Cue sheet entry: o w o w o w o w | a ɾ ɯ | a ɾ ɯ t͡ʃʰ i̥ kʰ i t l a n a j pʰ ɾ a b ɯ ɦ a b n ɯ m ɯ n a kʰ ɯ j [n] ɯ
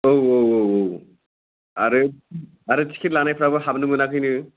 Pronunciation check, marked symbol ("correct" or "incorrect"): correct